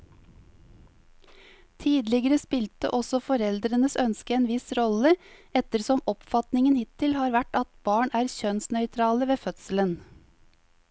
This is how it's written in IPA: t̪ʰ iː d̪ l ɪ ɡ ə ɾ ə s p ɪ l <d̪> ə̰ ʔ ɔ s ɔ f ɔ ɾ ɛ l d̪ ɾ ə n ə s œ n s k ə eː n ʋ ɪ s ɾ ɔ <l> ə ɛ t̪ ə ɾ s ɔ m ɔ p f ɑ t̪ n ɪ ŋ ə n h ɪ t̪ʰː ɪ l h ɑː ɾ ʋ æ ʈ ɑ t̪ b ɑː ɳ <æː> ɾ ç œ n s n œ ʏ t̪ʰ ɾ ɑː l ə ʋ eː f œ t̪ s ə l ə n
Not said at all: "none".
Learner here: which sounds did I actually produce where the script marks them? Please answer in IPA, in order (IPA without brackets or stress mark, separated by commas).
t̪, l, æː